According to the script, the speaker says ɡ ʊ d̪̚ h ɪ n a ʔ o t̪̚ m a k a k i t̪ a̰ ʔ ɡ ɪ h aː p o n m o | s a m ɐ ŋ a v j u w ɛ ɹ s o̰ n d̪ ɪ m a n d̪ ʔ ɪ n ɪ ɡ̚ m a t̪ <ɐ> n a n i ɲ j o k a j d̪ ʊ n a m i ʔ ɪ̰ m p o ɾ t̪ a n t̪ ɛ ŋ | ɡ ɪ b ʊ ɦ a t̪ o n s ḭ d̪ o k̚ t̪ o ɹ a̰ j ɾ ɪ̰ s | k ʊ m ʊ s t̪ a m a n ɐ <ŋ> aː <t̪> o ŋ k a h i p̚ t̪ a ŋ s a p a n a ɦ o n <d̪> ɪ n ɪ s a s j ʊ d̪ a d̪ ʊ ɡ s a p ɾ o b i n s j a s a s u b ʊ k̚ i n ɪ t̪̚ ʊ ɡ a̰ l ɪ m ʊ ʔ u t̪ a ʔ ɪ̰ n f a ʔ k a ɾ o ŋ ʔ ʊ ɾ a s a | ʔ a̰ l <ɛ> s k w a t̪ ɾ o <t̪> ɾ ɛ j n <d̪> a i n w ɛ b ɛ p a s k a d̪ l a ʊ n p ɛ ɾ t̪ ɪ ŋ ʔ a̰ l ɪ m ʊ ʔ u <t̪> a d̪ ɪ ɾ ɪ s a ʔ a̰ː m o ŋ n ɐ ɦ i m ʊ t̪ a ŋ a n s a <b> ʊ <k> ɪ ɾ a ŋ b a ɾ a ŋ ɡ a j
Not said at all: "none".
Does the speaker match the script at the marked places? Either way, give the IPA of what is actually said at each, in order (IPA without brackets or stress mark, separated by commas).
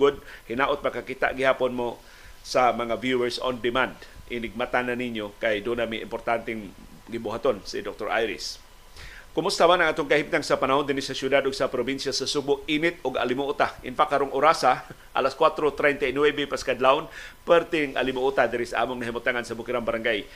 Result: a, ŋ, t̪, d̪, a, t̪, t̪, t̪, b, k